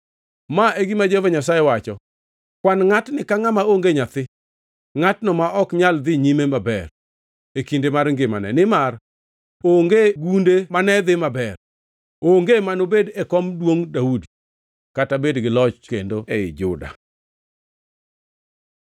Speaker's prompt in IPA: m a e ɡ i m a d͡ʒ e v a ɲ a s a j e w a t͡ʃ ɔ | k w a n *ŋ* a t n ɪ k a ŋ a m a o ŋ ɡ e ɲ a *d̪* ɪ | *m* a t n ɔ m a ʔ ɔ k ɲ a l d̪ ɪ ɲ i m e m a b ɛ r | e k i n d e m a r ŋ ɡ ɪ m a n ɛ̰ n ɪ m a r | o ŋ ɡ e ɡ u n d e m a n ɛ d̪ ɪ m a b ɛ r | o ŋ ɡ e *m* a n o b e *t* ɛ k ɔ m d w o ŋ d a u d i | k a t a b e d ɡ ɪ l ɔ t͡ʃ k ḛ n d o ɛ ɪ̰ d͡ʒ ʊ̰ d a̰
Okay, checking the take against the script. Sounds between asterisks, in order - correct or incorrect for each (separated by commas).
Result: correct, incorrect, incorrect, correct, incorrect